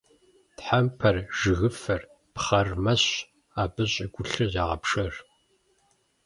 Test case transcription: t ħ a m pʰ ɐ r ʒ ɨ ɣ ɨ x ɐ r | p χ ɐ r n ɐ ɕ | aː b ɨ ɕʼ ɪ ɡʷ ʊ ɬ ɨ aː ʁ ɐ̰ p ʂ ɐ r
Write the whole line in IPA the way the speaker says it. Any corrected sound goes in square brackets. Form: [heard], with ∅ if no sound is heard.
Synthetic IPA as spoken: t ħ a m pʰ ɐ r ʒ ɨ ɣ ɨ [f] ɐ r | p χ ɐ r [m] ɐ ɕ | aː b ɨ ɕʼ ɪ ɡʷ ʊ ɬ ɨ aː ʁ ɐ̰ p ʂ ɐ r